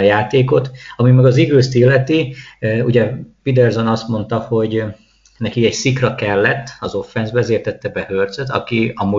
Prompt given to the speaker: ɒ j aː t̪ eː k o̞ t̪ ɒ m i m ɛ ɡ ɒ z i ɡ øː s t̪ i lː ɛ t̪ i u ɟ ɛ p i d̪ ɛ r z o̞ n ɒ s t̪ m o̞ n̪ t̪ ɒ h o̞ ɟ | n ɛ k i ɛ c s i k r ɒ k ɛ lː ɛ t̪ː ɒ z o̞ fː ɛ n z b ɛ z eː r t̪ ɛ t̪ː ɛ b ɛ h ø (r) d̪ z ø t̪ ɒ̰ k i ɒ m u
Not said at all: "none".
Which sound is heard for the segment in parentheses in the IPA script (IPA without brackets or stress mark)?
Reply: r